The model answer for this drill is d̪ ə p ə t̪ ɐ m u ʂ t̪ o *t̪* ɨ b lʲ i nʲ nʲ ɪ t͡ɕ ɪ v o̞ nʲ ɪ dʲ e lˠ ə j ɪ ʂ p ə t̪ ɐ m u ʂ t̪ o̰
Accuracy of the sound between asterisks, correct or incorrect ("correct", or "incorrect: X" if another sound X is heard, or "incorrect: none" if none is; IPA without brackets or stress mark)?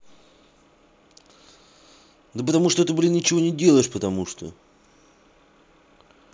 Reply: correct